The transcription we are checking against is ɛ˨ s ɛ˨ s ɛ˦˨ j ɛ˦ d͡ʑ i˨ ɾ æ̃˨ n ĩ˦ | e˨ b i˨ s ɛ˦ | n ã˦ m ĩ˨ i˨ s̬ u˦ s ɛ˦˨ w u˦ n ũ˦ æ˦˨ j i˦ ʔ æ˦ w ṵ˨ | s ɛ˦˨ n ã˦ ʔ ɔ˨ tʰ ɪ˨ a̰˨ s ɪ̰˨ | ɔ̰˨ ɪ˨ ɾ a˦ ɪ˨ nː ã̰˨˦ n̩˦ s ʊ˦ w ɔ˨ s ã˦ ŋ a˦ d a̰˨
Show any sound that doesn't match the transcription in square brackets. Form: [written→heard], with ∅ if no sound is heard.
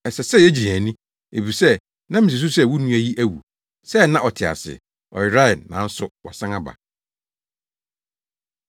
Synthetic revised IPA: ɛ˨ s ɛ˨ s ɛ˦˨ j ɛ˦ d͡ʑ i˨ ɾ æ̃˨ n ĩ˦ | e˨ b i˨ s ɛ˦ | n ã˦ m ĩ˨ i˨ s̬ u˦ s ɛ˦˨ w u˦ n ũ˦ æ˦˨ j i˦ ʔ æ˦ w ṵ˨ | s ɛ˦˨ n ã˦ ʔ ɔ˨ tʰ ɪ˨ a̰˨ s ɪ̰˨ | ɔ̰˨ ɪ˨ ɾ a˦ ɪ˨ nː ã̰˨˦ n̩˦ s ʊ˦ w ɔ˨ s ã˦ ŋ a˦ [d→b] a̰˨